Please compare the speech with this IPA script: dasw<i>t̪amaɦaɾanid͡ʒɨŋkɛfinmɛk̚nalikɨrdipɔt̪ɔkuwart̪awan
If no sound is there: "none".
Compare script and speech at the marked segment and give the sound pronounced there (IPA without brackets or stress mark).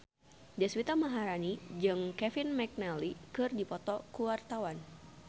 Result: i